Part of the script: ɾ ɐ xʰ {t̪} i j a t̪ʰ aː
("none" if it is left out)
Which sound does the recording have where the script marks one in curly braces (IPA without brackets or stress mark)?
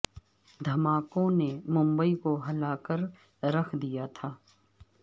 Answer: d̪